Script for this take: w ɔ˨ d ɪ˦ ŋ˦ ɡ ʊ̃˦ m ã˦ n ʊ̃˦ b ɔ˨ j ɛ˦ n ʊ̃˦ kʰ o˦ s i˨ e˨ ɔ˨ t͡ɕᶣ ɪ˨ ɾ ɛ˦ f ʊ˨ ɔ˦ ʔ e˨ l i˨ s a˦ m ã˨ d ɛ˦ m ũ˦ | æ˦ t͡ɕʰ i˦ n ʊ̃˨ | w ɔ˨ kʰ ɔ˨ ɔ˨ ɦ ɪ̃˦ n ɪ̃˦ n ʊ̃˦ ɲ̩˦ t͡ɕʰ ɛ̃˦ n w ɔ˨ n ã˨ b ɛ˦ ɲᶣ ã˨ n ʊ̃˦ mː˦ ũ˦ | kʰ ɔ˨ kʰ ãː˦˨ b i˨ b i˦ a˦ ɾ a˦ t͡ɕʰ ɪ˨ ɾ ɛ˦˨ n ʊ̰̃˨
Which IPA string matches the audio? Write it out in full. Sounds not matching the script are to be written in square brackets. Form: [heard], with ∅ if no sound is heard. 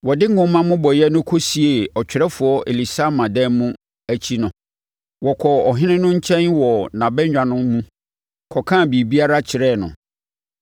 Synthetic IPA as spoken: w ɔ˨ d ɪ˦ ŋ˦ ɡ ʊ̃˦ m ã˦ [m] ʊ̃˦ b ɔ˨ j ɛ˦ n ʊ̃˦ kʰ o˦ s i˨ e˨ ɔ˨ t͡ɕᶣ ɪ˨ ɾ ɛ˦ f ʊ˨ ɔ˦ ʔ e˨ l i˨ s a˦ m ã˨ d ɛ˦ m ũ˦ | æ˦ t͡ɕʰ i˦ n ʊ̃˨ | w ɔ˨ kʰ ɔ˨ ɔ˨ ɦ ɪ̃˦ n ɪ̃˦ n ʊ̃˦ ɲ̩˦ t͡ɕʰ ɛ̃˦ n w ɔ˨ n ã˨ b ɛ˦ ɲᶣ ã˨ n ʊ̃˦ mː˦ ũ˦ | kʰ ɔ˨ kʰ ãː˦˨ b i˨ b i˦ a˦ ɾ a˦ t͡ɕʰ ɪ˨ ɾ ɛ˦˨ n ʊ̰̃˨

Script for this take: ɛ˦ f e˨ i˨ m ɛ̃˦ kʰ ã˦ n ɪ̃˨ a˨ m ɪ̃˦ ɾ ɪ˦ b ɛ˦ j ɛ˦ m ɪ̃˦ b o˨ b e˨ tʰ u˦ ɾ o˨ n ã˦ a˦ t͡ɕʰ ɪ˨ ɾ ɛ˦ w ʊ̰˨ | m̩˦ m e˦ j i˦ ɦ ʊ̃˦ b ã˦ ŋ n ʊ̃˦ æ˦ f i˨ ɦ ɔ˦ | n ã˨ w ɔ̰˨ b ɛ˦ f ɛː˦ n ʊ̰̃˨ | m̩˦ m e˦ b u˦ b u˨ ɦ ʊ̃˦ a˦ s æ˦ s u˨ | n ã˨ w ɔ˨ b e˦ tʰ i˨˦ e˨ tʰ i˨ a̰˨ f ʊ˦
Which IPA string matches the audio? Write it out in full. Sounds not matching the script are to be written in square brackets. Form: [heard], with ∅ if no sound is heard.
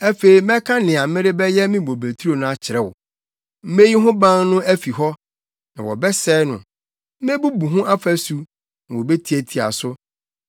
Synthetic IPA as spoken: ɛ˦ f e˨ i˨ m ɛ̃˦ kʰ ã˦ n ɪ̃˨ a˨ m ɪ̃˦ ɾ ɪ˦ b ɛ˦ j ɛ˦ m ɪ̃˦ b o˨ b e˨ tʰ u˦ ɾ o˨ n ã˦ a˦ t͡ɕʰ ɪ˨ ɾ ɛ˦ w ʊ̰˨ | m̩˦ m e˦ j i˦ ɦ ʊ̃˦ b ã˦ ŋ n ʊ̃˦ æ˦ f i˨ ɦ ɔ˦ | n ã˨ w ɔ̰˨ b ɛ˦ [s] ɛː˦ n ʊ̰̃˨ | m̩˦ m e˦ b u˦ b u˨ ɦ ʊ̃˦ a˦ [f] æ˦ s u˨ | n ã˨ w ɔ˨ b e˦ tʰ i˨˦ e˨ tʰ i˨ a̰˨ [s] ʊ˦

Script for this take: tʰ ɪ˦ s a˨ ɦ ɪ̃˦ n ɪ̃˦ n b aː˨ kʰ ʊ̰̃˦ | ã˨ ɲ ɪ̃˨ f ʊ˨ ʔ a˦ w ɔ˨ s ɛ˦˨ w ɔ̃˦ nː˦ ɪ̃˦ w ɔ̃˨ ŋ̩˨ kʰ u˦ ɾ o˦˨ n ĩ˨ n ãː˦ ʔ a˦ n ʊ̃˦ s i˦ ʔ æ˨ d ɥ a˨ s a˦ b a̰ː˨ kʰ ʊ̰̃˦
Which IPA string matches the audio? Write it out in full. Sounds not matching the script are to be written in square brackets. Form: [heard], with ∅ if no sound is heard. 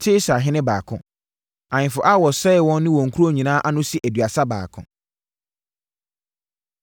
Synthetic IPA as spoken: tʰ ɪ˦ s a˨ ɦ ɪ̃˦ n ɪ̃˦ [∅] b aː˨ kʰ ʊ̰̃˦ | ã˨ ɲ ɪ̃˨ f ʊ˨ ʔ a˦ w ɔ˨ s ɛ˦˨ w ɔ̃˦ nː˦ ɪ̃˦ w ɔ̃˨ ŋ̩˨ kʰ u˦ ɾ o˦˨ [ɲ] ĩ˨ n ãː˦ ʔ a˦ n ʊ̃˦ s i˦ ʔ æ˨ d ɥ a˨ s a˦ b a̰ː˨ kʰ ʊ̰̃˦

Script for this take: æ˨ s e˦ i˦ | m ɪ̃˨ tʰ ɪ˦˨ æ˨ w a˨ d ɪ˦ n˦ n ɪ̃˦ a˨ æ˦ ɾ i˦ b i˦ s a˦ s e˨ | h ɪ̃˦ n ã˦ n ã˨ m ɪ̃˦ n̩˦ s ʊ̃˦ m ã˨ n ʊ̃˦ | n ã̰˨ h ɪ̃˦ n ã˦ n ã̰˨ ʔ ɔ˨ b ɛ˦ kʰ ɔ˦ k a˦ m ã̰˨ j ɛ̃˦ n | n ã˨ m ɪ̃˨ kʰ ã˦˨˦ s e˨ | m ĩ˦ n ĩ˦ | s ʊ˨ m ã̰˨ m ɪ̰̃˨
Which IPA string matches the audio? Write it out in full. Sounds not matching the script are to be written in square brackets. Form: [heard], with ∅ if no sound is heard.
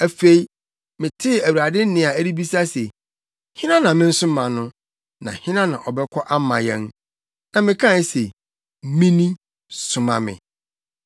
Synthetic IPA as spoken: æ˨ [f] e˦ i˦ | m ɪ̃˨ tʰ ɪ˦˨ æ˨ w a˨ d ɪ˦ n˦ n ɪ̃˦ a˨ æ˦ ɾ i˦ b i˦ s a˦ s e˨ | h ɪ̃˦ n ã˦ n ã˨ m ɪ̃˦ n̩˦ s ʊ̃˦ m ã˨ n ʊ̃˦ | n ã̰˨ h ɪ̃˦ n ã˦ n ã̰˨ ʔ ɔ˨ b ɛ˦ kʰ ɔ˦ [ʔ] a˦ m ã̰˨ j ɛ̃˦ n | n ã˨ m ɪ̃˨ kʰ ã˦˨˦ s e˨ | m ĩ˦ n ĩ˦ | s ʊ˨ m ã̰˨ m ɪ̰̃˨

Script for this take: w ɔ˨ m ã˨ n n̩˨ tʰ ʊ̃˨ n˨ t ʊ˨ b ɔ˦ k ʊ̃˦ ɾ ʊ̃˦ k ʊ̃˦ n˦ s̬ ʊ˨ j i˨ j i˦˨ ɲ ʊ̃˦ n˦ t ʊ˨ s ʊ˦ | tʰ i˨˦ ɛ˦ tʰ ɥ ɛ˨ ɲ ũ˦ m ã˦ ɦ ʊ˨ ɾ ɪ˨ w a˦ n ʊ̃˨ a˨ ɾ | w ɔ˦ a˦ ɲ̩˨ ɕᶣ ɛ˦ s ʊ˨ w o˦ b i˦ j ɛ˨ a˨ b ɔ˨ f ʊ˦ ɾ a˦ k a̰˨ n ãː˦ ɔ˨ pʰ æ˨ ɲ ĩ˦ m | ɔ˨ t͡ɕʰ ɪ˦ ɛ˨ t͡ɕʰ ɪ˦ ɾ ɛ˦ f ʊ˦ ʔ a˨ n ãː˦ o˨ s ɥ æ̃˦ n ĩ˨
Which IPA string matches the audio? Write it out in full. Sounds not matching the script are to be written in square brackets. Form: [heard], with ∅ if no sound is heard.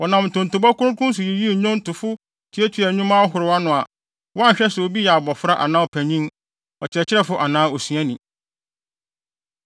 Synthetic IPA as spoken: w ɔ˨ [n] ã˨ [m] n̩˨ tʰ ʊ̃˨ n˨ t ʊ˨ b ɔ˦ k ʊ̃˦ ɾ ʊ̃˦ k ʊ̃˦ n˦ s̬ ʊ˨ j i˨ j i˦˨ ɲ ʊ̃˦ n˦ t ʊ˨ [f] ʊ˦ | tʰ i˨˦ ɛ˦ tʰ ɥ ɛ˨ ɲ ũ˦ m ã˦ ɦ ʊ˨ ɾ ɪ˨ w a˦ n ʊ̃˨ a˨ [∅] | w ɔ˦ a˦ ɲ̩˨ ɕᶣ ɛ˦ s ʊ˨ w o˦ b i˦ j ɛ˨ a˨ b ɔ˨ f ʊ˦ ɾ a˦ [ʔ] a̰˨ n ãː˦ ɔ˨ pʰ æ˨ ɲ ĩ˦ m | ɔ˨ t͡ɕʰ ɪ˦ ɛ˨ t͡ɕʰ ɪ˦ ɾ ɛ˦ f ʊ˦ ʔ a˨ n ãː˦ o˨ s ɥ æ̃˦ n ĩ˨

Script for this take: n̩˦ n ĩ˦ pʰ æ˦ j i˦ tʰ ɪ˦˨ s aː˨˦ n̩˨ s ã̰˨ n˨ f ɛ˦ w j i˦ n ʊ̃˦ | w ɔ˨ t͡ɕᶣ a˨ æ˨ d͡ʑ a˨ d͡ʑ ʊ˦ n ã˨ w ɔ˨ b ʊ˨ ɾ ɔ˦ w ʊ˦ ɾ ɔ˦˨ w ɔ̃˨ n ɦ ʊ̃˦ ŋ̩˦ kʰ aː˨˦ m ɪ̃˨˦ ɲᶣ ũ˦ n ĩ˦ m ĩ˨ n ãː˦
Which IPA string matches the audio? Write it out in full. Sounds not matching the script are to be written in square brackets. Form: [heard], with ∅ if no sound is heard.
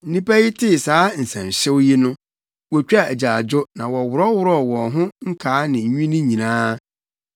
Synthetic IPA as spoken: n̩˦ n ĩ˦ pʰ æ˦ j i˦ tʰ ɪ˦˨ s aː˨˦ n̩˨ s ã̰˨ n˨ [ɕ] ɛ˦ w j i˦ n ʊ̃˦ | w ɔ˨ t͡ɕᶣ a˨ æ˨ d͡ʑ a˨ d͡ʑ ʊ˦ n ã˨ w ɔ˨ [w] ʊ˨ ɾ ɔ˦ w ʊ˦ ɾ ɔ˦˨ w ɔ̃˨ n ɦ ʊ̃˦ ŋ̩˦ kʰ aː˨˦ [n] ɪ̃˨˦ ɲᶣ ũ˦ n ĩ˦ [ɲ] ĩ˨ n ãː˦

